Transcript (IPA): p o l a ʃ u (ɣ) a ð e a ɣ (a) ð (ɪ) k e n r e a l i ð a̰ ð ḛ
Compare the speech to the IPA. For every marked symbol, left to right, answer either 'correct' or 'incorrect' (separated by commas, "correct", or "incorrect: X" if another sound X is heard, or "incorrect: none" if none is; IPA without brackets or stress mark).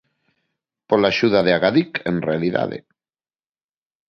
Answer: incorrect: ð, correct, incorrect: i